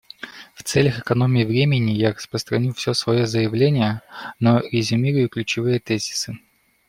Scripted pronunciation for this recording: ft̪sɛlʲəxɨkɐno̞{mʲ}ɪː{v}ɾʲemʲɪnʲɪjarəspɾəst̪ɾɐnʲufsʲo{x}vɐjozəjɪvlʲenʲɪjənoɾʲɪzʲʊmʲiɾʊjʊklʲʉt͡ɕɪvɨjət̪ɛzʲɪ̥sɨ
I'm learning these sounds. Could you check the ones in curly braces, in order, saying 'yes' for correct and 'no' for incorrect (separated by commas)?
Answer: yes, yes, no